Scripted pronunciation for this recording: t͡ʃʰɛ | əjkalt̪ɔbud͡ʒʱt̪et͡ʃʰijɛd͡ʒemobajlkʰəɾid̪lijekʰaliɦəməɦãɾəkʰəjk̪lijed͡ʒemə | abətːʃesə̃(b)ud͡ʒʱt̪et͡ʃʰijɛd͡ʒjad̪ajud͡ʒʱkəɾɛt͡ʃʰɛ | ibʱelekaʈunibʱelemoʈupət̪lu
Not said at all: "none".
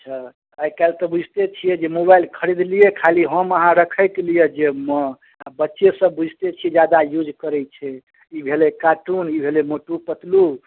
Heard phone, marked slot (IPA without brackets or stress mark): b